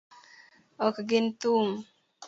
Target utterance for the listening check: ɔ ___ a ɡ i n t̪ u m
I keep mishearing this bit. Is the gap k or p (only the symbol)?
k